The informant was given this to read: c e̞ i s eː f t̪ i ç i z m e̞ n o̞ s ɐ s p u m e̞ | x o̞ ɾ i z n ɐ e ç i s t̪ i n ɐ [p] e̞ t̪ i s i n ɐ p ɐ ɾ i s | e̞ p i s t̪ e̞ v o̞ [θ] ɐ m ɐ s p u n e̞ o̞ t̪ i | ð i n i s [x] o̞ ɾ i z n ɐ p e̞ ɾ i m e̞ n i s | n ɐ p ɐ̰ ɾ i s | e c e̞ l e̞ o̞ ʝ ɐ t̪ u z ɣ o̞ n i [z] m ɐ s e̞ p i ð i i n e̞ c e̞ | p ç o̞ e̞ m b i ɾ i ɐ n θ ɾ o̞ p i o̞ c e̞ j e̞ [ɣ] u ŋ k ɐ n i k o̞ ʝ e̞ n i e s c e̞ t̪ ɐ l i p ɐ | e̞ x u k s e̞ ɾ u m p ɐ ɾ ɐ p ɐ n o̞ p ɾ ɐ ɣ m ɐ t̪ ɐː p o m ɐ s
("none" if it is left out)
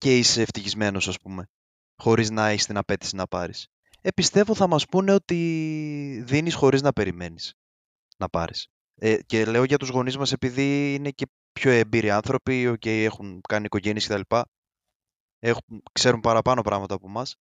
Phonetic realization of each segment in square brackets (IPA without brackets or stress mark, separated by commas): p, θ, x, z, x